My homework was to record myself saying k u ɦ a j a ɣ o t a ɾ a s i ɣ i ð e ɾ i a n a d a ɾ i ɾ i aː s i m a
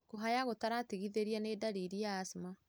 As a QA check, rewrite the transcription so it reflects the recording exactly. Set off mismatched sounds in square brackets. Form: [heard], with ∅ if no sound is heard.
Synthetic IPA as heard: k [o] ɦ a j a ɣ o t a ɾ a [t] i ɣ i ð e ɾ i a n [e] d a ɾ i ɾ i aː s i m a